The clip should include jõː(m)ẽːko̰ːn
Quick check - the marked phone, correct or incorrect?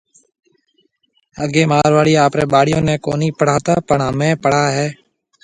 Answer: incorrect